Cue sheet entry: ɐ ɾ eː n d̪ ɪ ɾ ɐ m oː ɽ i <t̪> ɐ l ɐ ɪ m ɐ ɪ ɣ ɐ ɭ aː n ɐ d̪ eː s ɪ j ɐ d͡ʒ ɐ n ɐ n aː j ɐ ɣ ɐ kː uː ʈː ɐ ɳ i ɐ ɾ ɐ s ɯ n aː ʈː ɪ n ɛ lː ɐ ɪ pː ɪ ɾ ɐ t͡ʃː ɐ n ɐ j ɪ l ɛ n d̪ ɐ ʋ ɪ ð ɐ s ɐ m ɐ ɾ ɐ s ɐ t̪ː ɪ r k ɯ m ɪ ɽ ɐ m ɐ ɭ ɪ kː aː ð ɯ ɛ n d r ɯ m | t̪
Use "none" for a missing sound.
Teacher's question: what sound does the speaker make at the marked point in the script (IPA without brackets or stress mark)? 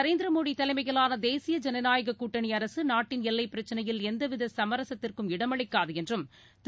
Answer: t̪